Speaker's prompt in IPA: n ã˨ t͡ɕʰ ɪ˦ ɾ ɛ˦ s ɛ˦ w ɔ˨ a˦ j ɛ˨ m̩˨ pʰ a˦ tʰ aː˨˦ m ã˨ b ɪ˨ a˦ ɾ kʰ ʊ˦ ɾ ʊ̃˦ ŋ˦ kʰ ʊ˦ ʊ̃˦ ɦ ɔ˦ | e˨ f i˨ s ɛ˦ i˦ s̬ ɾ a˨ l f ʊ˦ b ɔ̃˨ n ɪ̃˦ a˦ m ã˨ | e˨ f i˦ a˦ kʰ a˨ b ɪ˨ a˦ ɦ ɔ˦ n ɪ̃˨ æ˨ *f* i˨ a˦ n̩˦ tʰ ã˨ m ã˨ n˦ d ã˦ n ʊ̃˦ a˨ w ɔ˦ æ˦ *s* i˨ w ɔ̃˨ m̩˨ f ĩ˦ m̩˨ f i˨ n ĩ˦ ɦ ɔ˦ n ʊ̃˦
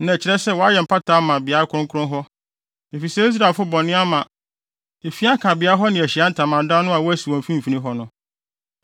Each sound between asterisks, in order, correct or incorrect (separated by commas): incorrect, correct